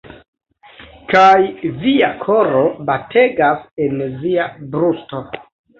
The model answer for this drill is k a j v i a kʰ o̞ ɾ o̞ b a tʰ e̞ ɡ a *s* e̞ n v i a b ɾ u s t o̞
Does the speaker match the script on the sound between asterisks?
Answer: yes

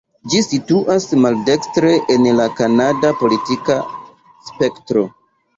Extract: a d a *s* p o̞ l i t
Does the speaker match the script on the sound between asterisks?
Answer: no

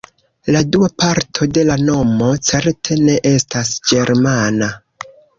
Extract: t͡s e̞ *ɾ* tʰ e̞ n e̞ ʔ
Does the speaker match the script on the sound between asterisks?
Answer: yes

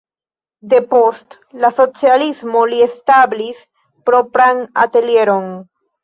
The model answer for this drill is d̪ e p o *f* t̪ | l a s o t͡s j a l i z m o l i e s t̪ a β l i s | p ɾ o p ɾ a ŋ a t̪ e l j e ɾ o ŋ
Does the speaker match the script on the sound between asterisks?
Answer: no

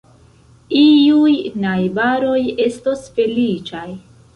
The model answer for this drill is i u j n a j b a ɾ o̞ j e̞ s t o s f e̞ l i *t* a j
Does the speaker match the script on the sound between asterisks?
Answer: no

